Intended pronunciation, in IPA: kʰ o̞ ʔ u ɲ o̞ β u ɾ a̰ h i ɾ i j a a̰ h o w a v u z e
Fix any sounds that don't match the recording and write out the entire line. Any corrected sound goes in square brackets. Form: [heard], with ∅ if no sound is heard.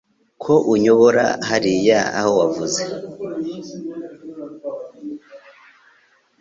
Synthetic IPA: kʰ o̞ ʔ u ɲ o̞ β [o] ɾ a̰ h [a] ɾ i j a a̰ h o w a v u z e